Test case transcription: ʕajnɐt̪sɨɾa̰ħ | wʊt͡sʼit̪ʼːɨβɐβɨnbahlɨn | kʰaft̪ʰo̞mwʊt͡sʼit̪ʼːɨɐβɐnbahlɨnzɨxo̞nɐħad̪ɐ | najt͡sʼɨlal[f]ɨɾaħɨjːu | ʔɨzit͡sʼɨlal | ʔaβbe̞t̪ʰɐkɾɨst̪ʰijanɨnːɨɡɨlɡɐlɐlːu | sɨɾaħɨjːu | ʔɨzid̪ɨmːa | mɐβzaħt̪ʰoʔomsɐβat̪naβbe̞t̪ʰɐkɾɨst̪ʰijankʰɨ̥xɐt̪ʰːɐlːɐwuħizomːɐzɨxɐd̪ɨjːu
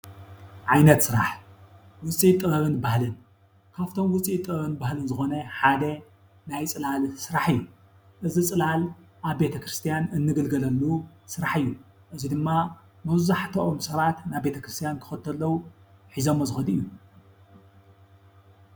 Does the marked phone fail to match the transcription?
yes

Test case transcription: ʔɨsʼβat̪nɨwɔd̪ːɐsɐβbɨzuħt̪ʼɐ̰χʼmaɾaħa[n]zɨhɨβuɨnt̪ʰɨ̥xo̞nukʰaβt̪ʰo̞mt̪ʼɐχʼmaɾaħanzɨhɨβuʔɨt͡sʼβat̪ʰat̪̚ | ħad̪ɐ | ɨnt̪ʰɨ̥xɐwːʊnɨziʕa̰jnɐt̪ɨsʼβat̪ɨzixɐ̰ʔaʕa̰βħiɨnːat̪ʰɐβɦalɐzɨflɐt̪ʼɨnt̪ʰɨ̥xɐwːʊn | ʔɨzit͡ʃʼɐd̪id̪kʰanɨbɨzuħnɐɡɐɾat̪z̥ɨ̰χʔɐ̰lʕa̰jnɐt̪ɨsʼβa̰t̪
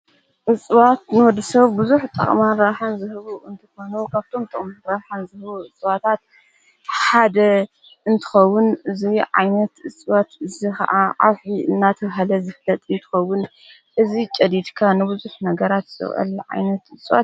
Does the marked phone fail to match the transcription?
no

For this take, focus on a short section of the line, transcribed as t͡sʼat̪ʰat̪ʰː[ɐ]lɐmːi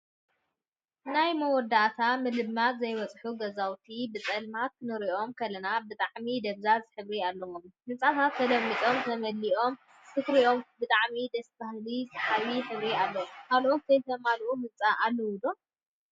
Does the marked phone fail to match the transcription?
no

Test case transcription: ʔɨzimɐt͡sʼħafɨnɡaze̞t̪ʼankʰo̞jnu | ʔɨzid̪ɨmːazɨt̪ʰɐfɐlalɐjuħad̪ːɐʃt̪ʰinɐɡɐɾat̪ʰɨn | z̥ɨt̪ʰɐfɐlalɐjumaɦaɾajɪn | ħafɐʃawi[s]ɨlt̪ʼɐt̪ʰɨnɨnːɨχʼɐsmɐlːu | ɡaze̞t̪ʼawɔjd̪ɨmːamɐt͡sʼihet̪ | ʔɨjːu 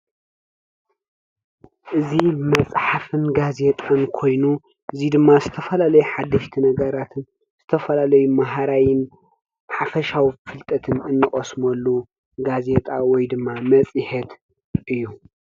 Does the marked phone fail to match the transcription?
yes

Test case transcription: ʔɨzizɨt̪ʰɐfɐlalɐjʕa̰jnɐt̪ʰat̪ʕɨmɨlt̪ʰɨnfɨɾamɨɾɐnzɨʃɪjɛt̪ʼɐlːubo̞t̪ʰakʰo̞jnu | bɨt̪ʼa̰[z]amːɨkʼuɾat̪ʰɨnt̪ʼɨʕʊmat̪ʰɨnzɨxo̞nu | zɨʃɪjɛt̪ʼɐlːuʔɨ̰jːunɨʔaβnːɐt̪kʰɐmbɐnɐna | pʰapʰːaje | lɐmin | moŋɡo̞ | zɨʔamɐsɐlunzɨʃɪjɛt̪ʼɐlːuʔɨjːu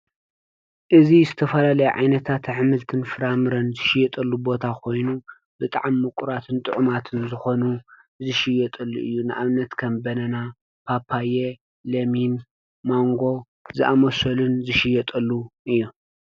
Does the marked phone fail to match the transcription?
yes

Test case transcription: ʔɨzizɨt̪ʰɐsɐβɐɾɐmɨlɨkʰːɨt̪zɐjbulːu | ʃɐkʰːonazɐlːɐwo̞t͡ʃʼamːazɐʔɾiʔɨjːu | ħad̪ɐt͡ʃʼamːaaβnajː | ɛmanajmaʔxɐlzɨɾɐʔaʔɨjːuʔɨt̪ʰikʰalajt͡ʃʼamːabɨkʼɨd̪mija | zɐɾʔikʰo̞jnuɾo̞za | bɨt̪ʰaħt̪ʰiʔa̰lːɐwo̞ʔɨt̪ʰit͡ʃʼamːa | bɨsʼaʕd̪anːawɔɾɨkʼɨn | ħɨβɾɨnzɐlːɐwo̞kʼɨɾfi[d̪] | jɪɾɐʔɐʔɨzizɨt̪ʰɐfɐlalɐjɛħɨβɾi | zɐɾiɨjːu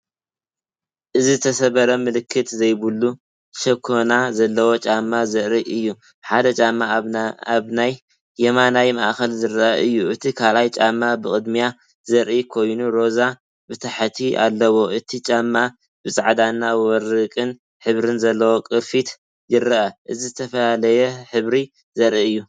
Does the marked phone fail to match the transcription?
yes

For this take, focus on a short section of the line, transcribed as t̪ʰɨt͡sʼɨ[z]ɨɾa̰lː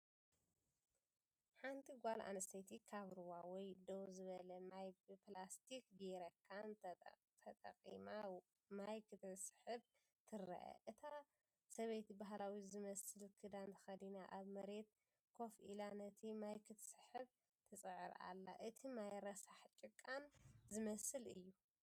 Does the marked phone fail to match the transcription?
yes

